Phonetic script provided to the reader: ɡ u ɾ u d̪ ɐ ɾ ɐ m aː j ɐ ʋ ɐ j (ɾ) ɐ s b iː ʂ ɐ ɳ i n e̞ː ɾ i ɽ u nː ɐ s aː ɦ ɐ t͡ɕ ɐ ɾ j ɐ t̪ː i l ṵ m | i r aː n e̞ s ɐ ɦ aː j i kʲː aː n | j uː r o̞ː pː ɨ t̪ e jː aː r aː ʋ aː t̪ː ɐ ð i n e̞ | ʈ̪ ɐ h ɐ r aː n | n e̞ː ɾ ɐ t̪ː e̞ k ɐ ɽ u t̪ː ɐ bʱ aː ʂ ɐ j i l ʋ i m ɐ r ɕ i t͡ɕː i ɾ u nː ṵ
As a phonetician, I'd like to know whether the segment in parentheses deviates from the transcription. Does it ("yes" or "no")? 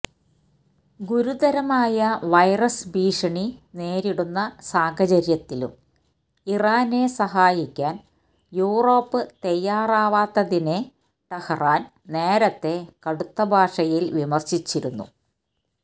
yes